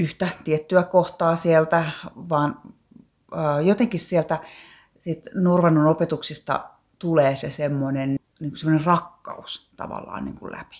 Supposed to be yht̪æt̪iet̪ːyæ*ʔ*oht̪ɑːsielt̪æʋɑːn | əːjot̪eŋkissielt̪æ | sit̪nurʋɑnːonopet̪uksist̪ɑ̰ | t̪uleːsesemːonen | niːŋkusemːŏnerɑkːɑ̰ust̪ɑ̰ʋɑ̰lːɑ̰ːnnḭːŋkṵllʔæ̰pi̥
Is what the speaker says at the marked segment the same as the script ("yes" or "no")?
no